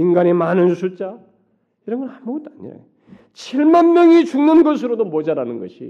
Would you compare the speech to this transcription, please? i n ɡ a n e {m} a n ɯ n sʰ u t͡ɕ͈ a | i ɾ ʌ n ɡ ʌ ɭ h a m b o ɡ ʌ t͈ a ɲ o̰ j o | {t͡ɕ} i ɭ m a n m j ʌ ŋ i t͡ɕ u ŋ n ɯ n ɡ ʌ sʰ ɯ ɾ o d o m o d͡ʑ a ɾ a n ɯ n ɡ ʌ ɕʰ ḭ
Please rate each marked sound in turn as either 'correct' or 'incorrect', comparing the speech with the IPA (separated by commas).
correct, incorrect